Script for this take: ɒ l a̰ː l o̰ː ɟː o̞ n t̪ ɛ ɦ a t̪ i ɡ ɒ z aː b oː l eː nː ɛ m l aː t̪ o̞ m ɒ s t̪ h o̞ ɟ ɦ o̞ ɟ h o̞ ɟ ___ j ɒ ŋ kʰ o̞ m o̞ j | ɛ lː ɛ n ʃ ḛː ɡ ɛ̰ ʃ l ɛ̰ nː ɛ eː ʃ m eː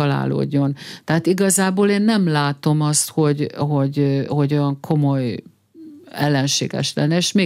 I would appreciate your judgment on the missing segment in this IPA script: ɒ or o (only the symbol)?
o